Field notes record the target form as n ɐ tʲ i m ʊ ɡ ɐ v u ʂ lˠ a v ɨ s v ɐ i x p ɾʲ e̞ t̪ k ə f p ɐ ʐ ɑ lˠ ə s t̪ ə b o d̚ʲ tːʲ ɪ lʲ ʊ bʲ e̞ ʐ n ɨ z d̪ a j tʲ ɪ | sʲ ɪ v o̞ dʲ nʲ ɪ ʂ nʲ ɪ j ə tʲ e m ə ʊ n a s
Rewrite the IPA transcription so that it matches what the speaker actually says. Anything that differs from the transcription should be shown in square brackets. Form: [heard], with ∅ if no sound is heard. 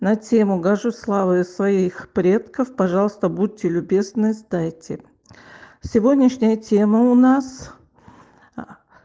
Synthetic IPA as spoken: n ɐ tʲ [e] m ʊ ɡ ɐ [ʐ] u [s] lˠ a v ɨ s v ɐ i x p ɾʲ e̞ t̪ k ə f p ɐ ʐ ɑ lˠ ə s t̪ ə b [u] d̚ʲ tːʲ ɪ lʲ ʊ bʲ e̞ [z] n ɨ z d̪ a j tʲ ɪ | sʲ ɪ v o̞ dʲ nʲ ɪ ʂ nʲ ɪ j ə tʲ e m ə ʊ n a s